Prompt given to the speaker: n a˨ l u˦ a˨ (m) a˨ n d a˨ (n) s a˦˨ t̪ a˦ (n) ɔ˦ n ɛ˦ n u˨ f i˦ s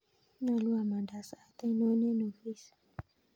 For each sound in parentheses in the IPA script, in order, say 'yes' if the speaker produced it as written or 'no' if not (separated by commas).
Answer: yes, no, yes